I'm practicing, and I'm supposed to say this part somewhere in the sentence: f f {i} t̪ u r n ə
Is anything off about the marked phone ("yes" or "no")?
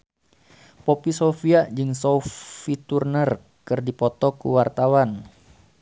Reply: no